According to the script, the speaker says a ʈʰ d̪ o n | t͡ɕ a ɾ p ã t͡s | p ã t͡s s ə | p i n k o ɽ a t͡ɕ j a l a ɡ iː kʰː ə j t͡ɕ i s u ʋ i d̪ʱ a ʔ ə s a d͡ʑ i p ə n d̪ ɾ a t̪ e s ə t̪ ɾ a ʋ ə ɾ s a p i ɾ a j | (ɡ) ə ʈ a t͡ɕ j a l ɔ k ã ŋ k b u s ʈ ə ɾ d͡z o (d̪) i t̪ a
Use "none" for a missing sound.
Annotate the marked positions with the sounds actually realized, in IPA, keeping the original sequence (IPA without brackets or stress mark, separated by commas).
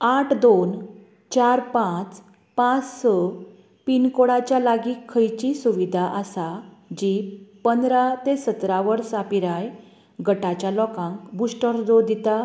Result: ɡ, d̪